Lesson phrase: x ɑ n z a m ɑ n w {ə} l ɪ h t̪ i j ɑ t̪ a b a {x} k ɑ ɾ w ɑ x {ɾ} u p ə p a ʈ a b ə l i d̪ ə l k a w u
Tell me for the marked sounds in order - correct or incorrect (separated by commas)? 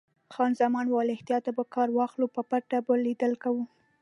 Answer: incorrect, incorrect, incorrect